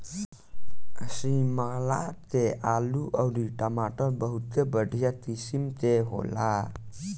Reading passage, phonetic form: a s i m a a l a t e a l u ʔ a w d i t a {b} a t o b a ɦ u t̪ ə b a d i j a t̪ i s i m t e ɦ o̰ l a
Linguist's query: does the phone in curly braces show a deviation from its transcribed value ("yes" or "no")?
yes